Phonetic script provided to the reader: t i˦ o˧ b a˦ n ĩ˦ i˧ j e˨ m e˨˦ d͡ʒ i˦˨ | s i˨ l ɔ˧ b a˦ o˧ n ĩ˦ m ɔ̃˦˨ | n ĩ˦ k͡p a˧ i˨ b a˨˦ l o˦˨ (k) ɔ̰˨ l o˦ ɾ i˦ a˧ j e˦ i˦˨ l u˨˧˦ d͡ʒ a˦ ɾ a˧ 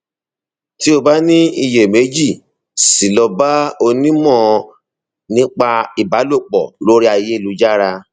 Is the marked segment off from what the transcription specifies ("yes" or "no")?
yes